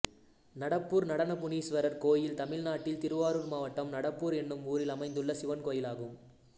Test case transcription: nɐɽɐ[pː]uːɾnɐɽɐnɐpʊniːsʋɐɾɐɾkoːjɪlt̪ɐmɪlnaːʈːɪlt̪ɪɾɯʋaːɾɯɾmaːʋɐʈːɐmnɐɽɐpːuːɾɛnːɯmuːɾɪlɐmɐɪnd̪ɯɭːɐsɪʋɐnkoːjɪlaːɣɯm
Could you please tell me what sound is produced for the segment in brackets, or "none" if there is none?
pː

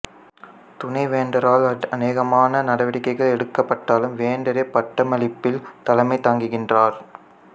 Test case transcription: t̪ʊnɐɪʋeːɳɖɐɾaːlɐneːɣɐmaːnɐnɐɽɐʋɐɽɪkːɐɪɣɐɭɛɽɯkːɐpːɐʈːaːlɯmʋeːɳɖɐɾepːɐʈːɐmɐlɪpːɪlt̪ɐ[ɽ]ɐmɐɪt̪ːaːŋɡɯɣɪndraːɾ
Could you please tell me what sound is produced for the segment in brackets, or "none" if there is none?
l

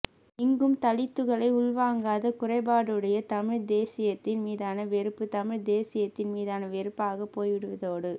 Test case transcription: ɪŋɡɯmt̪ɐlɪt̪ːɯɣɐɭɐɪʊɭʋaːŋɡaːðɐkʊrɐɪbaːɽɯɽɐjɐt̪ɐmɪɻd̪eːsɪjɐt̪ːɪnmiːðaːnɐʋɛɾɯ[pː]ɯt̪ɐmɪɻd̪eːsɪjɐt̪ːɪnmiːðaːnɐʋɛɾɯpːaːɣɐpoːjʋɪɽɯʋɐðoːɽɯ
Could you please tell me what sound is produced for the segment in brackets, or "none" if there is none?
pː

